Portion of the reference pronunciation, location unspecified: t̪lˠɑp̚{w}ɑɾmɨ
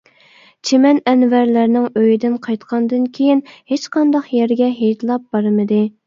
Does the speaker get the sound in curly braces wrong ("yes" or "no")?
yes